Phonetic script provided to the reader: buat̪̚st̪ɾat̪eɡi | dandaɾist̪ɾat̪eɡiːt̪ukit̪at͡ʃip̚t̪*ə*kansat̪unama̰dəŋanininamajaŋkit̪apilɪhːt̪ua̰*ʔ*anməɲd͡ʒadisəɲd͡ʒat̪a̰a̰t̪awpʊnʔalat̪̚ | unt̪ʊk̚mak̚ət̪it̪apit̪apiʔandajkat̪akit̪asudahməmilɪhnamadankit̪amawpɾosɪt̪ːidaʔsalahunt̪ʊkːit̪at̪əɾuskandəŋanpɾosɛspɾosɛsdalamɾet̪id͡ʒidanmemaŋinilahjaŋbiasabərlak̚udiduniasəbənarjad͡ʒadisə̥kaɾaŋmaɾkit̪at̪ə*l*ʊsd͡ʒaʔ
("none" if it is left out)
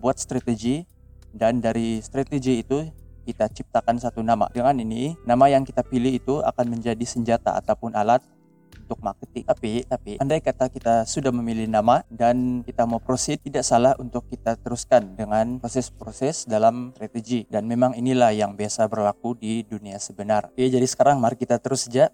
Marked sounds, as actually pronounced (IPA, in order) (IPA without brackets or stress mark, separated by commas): a, k, ɾ